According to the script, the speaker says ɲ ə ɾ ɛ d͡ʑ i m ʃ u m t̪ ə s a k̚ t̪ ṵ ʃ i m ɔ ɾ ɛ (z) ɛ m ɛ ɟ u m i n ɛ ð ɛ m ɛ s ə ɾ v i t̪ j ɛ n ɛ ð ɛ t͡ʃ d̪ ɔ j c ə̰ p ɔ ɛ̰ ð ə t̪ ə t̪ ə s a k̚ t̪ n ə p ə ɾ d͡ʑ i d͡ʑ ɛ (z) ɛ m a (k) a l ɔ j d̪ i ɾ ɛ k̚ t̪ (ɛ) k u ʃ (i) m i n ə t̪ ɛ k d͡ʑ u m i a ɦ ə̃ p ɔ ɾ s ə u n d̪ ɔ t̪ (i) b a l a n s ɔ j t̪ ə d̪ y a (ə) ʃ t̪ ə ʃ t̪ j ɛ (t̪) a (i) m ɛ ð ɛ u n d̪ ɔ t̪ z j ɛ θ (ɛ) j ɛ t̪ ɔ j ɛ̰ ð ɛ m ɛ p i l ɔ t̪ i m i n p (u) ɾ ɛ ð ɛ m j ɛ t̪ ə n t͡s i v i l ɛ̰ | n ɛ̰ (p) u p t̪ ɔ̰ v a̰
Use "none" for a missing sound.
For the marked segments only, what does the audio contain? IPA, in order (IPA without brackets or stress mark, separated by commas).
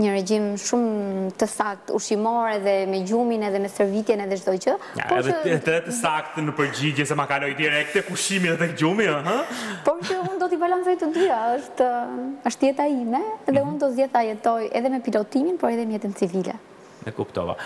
ð, s, k, ɛ, i, i, ə, t̪, i, a, ɔ, k